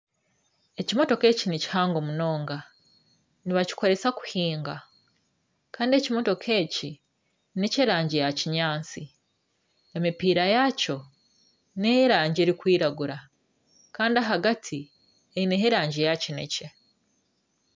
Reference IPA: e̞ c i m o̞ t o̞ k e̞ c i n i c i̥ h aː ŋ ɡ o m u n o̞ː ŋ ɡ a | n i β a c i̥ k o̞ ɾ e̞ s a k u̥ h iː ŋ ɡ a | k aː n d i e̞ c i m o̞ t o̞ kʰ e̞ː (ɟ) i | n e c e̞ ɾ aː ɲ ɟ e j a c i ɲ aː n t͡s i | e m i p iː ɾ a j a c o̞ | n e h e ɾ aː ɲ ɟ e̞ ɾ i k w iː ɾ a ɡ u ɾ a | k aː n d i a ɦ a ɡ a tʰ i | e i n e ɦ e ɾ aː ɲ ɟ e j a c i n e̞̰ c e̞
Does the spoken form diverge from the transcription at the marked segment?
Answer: yes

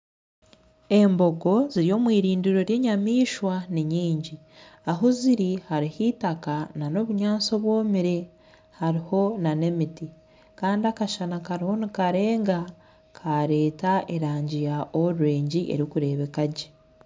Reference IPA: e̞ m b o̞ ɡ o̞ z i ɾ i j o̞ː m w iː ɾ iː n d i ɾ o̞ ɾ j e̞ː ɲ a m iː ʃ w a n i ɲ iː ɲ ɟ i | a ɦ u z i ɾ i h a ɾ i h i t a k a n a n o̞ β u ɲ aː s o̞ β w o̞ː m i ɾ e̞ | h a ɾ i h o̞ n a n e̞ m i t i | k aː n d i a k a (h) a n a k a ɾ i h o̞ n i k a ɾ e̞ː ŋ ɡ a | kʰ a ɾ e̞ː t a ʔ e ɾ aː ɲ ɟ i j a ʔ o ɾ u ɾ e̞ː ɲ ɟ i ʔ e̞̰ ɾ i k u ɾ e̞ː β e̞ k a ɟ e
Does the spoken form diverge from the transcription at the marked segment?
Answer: yes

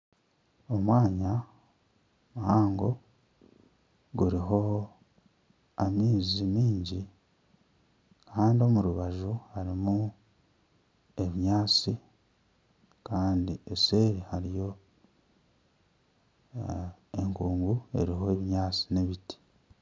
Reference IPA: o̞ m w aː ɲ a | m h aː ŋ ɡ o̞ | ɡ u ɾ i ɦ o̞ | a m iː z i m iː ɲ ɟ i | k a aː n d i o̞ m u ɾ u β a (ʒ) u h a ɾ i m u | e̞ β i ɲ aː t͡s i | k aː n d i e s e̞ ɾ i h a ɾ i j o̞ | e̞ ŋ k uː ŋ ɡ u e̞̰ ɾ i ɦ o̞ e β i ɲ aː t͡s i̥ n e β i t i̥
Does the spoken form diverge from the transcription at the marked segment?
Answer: no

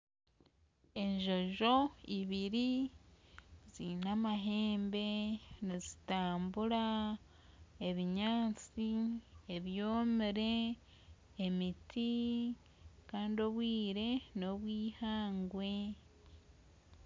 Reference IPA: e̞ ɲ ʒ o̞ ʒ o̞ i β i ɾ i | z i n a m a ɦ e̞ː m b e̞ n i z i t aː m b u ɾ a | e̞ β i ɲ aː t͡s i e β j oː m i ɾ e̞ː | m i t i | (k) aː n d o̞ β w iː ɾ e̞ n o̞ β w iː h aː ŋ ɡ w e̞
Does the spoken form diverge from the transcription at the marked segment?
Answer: no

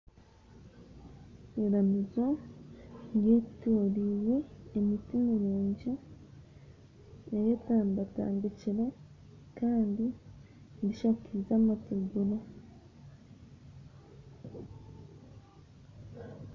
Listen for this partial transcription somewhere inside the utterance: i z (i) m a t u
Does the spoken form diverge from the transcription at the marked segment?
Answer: yes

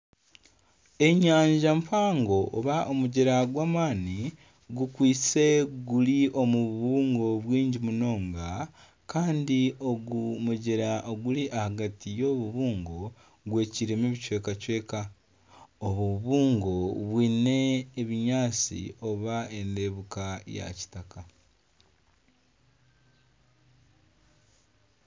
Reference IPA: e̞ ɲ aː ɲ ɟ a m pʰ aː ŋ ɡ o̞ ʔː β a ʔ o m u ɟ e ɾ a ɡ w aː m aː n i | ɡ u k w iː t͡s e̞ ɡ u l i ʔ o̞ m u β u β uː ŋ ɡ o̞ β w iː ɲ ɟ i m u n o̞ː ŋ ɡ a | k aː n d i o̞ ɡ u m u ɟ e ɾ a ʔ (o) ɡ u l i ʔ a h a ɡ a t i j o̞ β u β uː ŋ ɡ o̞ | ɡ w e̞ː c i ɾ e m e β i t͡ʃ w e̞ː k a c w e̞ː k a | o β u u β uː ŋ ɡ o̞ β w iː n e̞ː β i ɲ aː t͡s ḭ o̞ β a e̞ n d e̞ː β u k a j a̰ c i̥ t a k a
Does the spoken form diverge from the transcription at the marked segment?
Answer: no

